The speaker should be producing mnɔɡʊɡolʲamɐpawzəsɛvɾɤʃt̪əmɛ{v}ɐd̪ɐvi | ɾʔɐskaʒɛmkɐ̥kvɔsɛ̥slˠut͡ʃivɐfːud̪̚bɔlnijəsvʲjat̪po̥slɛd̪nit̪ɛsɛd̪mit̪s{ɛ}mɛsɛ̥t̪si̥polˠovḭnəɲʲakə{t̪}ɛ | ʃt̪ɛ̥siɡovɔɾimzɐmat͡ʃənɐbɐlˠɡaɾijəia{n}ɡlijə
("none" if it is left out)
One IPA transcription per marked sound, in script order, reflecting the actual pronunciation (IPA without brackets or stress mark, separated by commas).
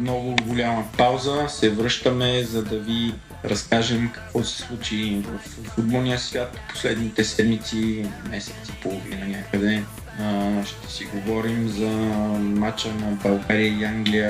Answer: z, i, d̪, ŋ